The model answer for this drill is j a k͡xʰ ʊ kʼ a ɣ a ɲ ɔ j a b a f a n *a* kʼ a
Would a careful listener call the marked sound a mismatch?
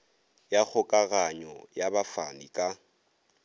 yes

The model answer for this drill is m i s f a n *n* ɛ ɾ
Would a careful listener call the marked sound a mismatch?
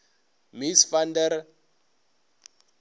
yes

